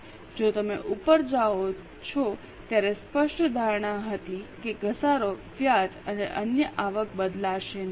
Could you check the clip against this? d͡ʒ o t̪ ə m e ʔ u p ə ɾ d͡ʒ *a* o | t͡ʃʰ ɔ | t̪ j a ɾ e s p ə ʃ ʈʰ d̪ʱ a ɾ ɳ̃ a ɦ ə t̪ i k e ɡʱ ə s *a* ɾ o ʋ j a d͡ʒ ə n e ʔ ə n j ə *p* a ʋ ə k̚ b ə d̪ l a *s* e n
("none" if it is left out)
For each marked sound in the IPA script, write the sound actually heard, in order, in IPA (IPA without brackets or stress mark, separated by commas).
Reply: a, a, ʔ, ʃ